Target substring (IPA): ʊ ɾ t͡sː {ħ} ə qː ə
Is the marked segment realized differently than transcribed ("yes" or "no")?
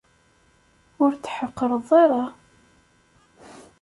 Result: no